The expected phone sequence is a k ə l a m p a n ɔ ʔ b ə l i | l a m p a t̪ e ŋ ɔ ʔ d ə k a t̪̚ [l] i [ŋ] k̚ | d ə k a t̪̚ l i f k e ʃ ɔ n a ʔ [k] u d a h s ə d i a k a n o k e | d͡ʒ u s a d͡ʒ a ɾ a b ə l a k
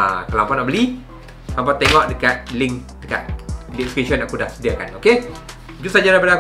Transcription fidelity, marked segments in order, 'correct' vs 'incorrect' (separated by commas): correct, correct, correct